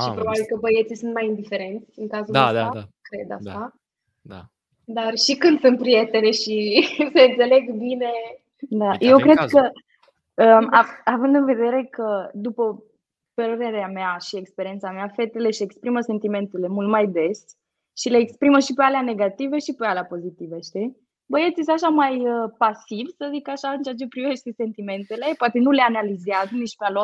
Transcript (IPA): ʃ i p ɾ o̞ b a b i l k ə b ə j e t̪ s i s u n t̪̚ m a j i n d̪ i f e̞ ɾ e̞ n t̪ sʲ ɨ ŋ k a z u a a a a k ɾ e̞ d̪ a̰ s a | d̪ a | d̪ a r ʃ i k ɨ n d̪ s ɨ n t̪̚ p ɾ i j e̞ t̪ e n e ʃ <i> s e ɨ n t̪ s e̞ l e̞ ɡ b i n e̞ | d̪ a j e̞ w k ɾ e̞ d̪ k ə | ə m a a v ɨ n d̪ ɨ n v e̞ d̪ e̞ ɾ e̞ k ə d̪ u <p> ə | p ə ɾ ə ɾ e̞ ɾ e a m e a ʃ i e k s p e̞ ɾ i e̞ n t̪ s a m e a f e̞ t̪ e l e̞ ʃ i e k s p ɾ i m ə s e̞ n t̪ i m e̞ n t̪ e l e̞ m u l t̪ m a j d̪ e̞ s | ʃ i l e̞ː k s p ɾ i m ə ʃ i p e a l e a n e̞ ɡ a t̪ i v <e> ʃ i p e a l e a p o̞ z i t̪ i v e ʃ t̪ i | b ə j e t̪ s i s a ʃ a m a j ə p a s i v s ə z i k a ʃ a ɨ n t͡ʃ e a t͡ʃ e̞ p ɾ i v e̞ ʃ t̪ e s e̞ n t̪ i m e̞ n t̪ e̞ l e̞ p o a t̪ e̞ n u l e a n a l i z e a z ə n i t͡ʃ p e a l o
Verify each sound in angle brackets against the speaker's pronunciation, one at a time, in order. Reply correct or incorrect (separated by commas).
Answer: correct, correct, correct